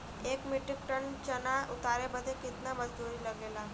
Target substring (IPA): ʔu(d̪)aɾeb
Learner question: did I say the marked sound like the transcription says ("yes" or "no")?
no